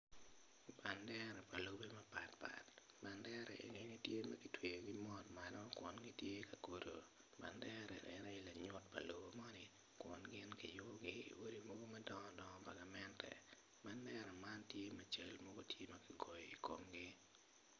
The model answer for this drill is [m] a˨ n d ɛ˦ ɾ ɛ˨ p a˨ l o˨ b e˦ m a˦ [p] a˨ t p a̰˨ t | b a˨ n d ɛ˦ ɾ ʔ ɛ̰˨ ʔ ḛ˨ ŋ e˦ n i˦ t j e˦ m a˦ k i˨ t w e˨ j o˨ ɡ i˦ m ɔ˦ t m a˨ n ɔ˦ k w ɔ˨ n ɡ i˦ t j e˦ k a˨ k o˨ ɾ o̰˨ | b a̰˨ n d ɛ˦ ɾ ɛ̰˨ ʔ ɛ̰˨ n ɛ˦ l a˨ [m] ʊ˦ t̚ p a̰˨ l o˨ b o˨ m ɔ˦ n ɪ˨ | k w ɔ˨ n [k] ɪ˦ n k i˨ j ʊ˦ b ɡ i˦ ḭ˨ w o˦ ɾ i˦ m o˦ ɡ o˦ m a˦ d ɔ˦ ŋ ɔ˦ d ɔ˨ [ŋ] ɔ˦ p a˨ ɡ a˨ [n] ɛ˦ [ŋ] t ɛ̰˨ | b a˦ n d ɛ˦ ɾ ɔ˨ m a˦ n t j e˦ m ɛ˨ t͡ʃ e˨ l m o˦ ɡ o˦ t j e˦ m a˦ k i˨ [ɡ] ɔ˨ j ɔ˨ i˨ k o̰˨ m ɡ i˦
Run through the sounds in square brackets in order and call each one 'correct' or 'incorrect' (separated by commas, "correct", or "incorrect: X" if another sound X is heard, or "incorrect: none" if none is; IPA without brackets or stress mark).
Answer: incorrect: b, correct, incorrect: ɲ, incorrect: ɡ, correct, incorrect: m, incorrect: n, correct